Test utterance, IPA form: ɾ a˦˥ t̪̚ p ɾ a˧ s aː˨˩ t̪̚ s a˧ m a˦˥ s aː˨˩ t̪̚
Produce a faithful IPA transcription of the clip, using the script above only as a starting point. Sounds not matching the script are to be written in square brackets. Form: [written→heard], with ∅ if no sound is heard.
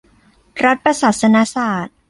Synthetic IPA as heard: ɾ a˦˥ t̪̚ p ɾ a˧ s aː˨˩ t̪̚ s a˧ [m→n] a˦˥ s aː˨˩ t̪̚